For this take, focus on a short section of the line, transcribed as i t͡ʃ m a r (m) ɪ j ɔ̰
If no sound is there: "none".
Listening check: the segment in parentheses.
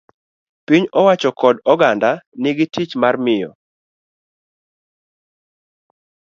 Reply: m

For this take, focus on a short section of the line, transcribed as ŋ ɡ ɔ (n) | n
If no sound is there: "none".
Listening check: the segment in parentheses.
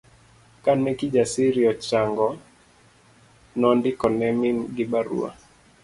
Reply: none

